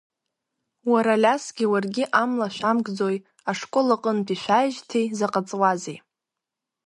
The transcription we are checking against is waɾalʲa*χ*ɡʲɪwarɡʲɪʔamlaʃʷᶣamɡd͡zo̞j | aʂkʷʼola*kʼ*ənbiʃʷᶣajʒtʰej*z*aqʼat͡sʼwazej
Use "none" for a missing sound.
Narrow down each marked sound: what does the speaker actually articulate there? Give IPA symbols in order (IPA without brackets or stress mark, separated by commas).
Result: s, qʼ, z